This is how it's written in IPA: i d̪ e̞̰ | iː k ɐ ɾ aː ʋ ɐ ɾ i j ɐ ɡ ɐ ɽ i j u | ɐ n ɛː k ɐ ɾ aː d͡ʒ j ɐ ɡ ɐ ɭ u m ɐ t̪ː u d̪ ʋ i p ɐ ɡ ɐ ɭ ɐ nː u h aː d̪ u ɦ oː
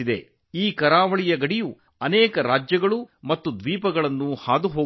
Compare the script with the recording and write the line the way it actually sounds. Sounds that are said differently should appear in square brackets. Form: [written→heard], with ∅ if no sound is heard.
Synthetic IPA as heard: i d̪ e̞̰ | iː k ɐ ɾ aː ʋ ɐ [ɾ→ɭ] i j ɐ ɡ ɐ ɽ i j u | ɐ n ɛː k ɐ ɾ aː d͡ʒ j ɐ ɡ ɐ ɭ u m ɐ t̪ː u d̪ ʋ [i→iː] p ɐ ɡ ɐ ɭ ɐ nː u h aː d̪ u ɦ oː